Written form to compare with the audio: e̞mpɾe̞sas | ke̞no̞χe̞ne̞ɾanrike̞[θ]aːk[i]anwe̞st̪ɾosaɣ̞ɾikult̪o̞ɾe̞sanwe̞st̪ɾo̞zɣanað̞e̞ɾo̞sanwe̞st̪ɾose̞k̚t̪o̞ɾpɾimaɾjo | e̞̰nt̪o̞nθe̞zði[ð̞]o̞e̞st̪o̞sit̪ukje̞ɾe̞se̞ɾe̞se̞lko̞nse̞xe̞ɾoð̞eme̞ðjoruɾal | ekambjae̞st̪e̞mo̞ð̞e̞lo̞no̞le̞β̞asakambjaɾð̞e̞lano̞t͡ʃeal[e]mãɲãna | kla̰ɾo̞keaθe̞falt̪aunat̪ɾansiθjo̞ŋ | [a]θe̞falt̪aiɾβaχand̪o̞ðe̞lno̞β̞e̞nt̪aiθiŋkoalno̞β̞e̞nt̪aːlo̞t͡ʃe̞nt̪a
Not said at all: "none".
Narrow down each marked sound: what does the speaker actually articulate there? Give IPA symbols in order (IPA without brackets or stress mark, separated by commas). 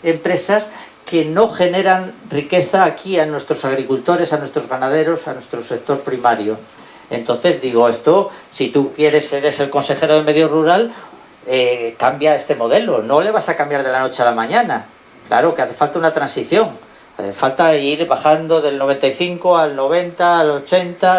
θ, i, ɣ̞, a, a